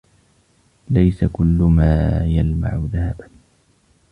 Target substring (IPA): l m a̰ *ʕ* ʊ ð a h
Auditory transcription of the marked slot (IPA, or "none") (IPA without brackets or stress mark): ʕ